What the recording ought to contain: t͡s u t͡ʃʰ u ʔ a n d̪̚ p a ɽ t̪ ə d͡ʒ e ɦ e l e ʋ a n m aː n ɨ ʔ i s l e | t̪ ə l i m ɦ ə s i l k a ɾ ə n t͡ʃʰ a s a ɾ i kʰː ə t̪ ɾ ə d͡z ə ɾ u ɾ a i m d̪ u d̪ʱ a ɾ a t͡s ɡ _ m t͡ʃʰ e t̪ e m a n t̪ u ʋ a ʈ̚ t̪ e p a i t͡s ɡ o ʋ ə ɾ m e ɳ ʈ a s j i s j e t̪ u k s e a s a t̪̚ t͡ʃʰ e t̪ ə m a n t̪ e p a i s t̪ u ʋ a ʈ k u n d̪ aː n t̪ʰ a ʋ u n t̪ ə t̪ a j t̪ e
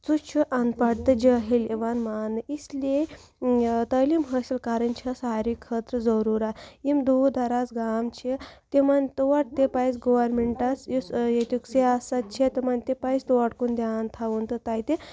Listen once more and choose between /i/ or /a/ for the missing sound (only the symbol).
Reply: a